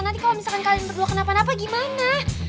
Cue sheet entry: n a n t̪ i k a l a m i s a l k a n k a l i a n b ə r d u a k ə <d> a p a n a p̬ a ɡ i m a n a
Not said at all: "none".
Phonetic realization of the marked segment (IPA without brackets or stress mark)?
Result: n